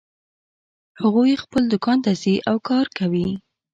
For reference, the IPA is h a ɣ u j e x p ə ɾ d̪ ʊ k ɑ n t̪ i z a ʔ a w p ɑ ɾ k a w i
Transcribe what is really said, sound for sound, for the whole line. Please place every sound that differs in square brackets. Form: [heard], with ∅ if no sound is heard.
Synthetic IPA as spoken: h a ɣ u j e x p ə [l] d̪ ʊ k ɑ n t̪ [a] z [i] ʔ a w [k] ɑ ɾ k a w i